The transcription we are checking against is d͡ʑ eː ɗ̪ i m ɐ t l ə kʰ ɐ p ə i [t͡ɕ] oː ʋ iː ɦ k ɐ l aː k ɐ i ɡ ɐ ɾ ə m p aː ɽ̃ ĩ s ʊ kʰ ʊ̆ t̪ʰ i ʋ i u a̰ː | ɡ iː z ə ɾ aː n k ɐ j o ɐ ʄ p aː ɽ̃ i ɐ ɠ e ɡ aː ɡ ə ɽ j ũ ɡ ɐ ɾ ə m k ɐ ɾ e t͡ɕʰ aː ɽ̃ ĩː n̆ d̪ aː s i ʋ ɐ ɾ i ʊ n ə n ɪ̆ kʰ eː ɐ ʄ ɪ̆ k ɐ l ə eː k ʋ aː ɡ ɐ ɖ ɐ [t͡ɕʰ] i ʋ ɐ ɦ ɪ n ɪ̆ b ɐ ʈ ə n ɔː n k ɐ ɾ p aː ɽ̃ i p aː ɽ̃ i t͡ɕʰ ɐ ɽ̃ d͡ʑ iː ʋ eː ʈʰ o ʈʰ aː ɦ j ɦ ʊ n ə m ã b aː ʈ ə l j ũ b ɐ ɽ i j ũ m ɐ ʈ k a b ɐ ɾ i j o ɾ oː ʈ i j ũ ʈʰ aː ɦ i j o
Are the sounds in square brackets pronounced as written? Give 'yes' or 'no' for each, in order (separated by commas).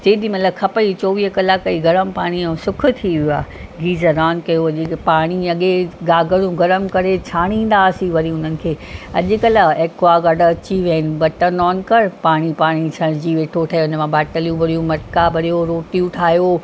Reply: yes, no